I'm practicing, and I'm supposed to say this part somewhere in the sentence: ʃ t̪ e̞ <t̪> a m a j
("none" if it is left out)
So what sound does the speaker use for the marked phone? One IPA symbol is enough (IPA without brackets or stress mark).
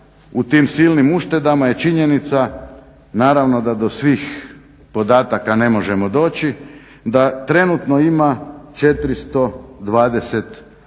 d̪